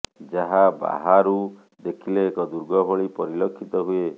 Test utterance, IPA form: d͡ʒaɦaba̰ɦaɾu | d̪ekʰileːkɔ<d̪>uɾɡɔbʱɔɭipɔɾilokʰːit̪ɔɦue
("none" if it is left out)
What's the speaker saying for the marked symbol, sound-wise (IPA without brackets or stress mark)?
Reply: d̪